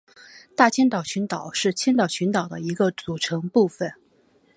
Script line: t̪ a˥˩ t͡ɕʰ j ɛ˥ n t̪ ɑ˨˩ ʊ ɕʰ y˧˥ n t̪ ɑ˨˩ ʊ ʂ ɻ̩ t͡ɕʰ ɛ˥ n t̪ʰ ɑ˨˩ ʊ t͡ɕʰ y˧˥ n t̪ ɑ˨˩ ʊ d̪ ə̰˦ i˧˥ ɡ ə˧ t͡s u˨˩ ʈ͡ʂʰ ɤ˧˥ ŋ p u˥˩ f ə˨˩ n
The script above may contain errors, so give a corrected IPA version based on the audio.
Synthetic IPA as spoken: t̪ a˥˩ t͡ɕʰ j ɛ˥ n t̪ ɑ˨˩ ʊ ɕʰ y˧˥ n t̪ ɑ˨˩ ʊ ʂ ɻ̩ t͡ɕʰ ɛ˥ n t̪ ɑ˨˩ ʊ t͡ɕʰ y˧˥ n t̪ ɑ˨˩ ʊ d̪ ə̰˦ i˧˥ ɡ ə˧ t͡s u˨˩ ʈ͡ʂʰ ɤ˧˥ ŋ p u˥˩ f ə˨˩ n

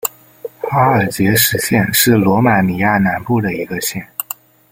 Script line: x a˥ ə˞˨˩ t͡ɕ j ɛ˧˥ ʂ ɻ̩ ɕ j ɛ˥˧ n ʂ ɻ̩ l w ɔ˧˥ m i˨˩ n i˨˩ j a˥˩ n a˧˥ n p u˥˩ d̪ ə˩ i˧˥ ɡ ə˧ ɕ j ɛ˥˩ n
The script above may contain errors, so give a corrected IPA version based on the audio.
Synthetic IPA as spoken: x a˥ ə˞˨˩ t͡ɕ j ɛ˧˥ ʂ ɻ̩ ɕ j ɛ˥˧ n ʂ ɻ̩ l w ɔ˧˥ m a˨˩ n i˨˩ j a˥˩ n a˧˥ n p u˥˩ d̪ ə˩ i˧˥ ɡ ə˧ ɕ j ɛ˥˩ n

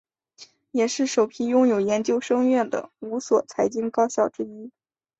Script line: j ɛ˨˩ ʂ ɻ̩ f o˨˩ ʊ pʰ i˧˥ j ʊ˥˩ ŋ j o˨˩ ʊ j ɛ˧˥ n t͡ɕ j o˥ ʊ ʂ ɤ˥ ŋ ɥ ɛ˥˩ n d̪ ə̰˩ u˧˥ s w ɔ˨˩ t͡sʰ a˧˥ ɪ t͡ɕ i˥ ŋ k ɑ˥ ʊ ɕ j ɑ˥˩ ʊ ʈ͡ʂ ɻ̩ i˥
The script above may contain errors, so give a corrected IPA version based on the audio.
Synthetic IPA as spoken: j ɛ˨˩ ʂ ɻ̩ ʂ o˨˩ ʊ pʰ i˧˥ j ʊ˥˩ ŋ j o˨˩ ʊ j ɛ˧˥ n t͡ɕ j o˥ ʊ ʂ ɤ˥ ŋ ɥ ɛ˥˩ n d̪ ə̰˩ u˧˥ s w ɔ˨˩ t͡sʰ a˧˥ ɪ t͡ɕ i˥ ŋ k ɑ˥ ʊ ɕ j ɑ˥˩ ʊ ʈ͡ʂ ɻ̩ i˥

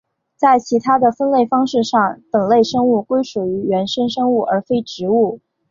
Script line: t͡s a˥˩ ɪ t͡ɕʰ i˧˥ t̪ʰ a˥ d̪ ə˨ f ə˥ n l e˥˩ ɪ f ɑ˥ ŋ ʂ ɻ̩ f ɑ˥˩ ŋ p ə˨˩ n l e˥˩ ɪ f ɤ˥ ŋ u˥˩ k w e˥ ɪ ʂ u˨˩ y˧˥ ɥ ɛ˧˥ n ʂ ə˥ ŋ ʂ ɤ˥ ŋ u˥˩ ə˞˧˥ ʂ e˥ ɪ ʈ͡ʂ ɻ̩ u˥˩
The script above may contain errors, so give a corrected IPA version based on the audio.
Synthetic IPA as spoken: t͡s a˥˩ ɪ t͡ɕʰ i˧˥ t̪ʰ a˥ d̪ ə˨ f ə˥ n l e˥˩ ɪ f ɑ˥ ŋ ʂ ɻ̩ ʂ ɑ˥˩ ŋ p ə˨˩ n l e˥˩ ɪ ʂ ɤ˥ ŋ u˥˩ k w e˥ ɪ ʂ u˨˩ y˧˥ ɥ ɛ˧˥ n ʂ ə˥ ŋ ʂ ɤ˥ ŋ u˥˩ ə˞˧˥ f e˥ ɪ ʈ͡ʂ ɻ̩ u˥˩

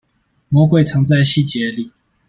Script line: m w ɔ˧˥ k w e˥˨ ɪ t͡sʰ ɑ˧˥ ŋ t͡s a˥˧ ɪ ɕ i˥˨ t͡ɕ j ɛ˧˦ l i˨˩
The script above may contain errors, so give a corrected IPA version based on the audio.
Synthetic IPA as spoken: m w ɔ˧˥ k w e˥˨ ɪ t͡sʰ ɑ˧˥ ŋ t͡s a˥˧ ɪ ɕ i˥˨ t͡ɕ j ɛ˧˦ l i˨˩

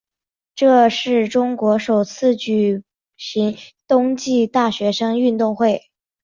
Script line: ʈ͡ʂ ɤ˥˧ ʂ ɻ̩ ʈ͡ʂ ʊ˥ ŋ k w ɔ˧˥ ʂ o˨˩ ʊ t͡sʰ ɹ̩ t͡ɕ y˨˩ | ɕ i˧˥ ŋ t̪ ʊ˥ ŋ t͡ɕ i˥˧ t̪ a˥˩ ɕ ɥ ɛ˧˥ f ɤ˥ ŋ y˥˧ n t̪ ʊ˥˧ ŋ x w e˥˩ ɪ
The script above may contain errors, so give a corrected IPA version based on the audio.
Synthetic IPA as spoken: ʈ͡ʂ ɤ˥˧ ʂ ɻ̩ ʈ͡ʂ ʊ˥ ŋ k w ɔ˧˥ ʂ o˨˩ ʊ t͡sʰ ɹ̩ t͡ɕ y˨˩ | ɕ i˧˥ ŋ t̪ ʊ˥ ŋ t͡ɕ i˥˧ t̪ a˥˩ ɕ ɥ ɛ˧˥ ʂ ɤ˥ ŋ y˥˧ n t̪ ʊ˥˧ ŋ x w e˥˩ ɪ

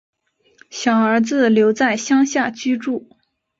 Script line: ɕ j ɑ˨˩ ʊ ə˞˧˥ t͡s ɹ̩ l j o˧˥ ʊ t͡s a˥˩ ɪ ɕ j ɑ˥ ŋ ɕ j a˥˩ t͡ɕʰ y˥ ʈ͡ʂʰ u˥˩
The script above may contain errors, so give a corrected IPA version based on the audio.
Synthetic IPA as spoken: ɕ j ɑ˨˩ ʊ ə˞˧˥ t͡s ɹ̩ l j o˧˥ ʊ t͡s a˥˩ ɪ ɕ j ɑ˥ ŋ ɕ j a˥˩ t͡ɕ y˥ ʈ͡ʂ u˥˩

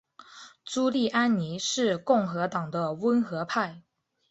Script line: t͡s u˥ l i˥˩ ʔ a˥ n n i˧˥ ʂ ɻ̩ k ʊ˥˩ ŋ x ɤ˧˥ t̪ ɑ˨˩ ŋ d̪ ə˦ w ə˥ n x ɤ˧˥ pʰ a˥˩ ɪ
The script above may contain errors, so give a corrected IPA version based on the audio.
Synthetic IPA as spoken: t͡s u˥ l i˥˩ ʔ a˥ n n i˧˥ ʂ ɻ̩ k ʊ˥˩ ŋ x ɤ˧˥ t̪ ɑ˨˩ ŋ d̪ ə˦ w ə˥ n x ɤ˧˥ pʰ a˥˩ ɪ

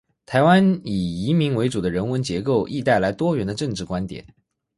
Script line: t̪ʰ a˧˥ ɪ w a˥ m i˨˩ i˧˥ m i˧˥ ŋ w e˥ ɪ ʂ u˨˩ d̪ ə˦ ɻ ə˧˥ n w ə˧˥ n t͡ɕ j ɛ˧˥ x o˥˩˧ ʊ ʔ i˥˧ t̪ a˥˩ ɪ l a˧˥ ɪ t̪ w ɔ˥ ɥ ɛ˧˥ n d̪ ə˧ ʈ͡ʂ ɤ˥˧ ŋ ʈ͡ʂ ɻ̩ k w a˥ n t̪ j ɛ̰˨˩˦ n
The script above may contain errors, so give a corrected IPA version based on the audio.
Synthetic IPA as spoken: t̪ʰ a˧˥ ɪ w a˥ n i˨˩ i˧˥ m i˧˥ ŋ w e˧˥ ɪ ʈ͡ʂ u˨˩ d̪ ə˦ ɻ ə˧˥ n w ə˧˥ n t͡ɕ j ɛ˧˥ k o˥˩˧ ʊ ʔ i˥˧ t̪ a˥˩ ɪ l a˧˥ ɪ t̪ w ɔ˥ ɥ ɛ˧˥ n d̪ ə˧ ʈ͡ʂ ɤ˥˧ ŋ ʈ͡ʂ ɻ̩ k w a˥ n t̪ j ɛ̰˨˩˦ n

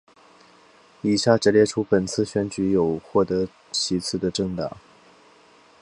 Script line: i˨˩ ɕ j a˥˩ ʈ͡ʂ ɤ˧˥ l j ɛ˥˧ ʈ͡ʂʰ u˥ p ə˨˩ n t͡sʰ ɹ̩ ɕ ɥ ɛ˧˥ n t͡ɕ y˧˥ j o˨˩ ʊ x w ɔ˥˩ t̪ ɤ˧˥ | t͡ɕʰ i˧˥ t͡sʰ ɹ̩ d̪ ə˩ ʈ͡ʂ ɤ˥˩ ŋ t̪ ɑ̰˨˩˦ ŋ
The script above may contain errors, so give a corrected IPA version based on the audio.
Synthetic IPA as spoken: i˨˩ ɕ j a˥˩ ʈ͡ʂ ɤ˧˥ l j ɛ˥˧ ʈ͡ʂʰ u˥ p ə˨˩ n t͡sʰ ɹ̩ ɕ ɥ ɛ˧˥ n t͡ɕ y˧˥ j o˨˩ ʊ x w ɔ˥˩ t̪ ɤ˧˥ | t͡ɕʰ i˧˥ t͡sʰ ɹ̩ d̪ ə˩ ʈ͡ʂ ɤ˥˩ ŋ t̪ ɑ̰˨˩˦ ŋ

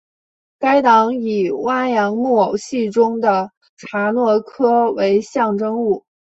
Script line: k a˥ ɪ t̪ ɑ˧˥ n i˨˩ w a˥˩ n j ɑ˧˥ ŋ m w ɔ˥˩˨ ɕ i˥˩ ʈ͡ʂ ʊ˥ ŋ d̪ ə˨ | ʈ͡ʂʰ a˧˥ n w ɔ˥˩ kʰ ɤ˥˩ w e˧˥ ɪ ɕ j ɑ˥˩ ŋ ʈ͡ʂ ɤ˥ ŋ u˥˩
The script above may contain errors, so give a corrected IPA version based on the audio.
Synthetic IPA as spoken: k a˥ ɪ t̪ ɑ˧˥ ŋ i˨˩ w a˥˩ n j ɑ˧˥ ŋ m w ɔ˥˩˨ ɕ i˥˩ ʈ͡ʂ ʊ˥ ŋ d̪ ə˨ | ʈ͡ʂʰ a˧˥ n w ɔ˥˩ kʰ ɤ˥ w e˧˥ ɪ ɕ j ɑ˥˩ ŋ ʈ͡ʂ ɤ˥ ŋ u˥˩

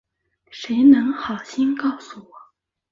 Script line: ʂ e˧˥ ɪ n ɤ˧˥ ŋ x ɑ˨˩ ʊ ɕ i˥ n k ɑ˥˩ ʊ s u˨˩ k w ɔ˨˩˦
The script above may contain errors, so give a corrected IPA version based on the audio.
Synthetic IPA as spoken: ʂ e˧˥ ɪ n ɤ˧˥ ŋ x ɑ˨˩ ʊ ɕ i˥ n k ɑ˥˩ ʊ s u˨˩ w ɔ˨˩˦

